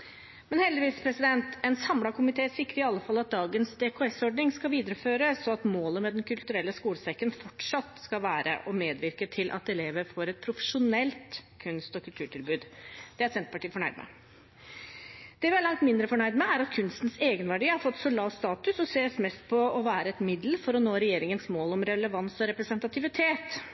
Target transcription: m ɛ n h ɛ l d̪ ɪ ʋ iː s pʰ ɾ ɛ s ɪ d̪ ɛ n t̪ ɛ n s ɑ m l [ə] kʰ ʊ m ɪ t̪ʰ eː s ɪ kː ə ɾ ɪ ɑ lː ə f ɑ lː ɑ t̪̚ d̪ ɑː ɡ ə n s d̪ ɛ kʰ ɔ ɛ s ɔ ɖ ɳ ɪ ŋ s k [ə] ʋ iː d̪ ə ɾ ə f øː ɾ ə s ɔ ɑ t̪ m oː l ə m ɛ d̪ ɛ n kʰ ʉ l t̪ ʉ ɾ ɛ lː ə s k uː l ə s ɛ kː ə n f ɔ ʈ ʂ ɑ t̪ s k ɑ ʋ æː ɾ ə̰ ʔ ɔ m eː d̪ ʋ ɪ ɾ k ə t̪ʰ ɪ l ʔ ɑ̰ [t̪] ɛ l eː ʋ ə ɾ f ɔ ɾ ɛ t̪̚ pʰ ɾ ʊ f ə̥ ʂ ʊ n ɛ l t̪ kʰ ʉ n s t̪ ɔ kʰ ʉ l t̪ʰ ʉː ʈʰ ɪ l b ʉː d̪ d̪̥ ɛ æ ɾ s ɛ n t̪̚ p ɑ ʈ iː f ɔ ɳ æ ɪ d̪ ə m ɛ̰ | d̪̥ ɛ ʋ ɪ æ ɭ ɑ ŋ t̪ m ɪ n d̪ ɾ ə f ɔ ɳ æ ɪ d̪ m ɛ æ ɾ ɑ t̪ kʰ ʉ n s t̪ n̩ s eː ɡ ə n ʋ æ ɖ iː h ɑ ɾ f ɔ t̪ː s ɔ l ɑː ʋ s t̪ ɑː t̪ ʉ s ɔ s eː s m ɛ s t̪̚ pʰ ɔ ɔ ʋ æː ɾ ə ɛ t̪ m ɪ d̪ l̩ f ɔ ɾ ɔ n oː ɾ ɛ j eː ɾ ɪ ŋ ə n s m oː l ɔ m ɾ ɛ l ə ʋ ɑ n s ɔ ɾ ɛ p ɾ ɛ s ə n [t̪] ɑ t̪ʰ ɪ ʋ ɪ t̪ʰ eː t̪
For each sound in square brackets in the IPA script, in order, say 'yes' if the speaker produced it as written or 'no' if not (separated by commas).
no, no, yes, yes